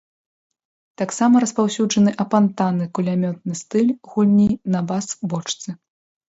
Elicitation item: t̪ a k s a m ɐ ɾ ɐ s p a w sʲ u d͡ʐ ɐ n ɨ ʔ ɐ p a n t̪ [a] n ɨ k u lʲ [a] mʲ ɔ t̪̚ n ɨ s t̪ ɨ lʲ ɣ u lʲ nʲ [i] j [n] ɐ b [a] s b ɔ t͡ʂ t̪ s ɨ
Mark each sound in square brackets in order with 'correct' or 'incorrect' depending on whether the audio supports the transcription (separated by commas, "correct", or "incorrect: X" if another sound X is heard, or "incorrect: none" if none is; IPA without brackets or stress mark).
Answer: correct, correct, correct, correct, correct